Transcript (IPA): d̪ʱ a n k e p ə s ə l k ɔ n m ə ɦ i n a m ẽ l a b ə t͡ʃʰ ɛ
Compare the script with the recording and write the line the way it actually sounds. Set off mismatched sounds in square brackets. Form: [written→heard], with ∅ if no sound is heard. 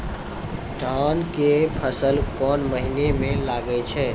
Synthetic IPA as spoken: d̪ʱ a n k e [p→pʰ] ə s ə l k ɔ n m ə ɦ i n [a→e] m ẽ l a [b→ɡ] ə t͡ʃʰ ɛ